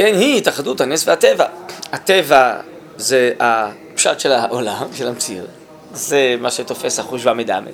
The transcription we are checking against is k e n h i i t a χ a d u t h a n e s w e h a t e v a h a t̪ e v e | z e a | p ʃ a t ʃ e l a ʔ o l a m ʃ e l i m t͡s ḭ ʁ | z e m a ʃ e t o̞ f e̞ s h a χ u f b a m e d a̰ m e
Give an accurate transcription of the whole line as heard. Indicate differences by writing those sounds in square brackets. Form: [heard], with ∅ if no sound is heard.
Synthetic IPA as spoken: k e n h i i t a χ a d u t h a n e s [v] e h a t e v a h a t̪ e v [a] | z e a | p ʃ a t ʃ e l a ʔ o l a m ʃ e l [a] m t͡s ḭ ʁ | z e m a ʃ e t o̞ f e̞ s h a χ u [ʃ] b a m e d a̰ m e